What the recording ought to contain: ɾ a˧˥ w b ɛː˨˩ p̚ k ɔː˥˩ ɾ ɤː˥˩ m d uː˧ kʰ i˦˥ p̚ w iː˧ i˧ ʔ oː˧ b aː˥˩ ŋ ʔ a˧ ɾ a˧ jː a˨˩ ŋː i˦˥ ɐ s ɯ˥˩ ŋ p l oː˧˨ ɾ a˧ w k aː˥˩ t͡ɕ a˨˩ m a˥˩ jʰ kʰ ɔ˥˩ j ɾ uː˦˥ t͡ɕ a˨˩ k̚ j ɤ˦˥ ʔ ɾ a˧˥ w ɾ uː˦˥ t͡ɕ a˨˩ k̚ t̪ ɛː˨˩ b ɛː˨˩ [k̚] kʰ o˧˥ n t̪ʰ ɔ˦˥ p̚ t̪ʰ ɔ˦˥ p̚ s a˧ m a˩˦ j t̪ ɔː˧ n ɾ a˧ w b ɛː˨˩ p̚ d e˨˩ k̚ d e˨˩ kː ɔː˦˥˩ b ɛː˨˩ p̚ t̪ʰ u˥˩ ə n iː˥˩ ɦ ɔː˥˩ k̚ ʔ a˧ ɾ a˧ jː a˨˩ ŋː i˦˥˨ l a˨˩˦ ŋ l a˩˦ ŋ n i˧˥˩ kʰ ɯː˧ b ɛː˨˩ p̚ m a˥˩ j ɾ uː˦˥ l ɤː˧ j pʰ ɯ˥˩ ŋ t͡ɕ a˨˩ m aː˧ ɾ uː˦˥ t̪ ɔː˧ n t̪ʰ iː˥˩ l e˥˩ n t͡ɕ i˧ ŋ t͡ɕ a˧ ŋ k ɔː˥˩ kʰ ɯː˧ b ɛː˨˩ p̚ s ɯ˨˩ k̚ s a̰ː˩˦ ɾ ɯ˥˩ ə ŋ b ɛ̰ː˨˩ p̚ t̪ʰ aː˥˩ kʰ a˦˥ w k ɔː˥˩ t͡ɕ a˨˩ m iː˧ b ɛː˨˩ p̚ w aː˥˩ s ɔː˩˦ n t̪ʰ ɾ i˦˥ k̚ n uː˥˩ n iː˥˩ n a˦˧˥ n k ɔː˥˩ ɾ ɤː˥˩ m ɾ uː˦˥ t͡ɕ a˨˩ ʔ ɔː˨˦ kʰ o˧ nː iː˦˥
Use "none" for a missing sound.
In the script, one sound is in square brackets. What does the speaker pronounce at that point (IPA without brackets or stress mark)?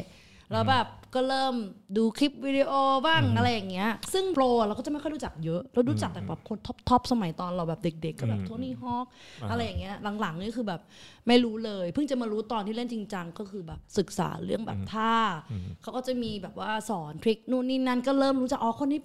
p̚